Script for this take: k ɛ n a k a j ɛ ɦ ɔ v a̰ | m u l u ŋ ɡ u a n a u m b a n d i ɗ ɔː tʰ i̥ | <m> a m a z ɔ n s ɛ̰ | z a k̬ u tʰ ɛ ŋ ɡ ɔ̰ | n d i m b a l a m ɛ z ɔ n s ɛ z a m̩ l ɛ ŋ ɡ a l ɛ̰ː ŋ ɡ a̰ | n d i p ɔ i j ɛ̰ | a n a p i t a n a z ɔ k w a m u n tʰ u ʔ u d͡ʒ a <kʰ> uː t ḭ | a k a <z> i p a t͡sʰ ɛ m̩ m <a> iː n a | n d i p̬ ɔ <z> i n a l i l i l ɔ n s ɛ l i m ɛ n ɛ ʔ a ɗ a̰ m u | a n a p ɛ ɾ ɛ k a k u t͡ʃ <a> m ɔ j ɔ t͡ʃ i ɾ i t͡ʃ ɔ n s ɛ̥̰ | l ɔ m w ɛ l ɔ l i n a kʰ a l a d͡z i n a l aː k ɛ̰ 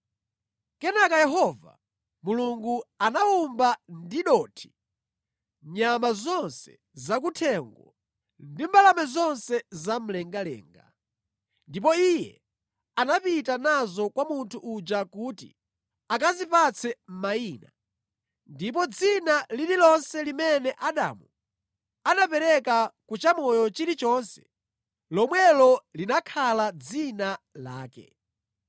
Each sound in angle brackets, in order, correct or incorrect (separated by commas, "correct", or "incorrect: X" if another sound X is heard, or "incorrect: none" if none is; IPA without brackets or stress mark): incorrect: ɲ, incorrect: k, correct, correct, incorrect: d͡z, correct